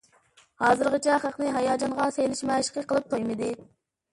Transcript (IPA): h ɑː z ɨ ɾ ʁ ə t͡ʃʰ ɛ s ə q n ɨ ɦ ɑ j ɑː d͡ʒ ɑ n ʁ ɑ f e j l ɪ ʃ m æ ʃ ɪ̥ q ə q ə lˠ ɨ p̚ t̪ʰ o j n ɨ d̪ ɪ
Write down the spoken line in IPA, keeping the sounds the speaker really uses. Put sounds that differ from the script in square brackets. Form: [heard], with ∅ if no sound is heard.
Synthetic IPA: h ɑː z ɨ ɾ ʁ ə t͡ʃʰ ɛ [χ] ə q n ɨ ɦ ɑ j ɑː d͡ʒ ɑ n ʁ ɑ [s] e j l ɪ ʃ m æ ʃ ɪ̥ q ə q ə lˠ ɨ p̚ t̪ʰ o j [m] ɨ d̪ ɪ